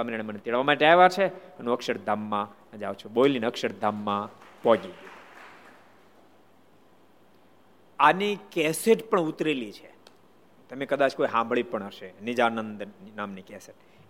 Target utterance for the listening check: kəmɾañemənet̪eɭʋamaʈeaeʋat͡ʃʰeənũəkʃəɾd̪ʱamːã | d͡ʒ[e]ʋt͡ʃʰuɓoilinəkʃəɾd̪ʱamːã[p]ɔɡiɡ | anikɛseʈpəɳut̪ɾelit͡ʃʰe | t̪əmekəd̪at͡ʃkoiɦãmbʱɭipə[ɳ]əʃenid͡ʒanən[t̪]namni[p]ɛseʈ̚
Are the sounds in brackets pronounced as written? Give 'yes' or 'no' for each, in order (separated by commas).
no, yes, yes, no, no